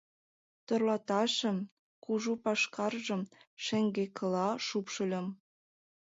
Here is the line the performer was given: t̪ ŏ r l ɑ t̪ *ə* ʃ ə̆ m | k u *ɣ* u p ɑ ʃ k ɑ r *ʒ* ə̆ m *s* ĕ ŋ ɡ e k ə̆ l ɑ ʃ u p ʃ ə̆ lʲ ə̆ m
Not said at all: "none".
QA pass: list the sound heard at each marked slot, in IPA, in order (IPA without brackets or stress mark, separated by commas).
ɑ, ʒ, ʒ, ʃ